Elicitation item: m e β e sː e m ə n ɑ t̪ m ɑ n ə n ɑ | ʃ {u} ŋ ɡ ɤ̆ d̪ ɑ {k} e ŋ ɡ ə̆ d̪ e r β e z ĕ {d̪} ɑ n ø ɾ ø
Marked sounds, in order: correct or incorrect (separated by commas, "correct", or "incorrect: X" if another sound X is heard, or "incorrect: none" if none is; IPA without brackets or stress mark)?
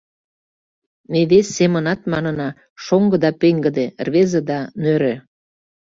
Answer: incorrect: o, incorrect: p, correct